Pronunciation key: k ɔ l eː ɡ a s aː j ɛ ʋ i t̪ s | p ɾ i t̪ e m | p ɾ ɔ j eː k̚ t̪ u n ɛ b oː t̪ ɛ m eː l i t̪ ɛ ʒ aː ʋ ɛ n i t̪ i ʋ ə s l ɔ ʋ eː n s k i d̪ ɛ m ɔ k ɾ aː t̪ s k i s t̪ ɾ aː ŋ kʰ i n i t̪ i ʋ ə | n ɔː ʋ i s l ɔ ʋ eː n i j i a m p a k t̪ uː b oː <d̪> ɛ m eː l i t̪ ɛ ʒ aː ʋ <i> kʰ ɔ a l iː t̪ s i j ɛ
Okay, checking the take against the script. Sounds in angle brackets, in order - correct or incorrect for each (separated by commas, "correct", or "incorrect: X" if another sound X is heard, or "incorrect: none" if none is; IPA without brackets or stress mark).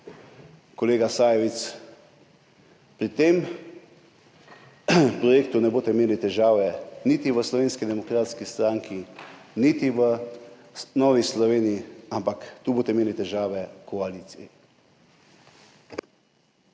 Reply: incorrect: t̪, incorrect: ɛ